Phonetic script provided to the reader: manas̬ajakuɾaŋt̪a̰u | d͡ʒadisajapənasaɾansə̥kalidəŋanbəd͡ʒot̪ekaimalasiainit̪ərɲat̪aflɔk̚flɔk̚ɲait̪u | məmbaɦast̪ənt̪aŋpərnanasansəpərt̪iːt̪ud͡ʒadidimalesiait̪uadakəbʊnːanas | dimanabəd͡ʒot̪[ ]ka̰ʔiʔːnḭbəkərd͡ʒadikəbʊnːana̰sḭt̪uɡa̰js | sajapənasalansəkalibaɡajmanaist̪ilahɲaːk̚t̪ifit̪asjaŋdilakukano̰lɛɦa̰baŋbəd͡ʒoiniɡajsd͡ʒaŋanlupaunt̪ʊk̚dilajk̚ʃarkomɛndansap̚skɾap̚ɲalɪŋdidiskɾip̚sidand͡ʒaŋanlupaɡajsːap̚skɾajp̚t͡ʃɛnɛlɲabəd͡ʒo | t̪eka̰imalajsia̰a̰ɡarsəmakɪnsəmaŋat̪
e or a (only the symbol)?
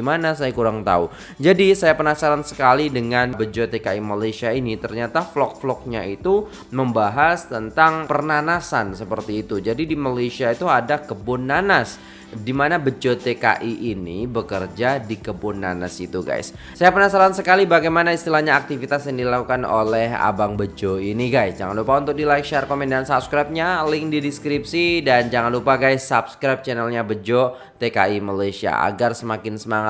e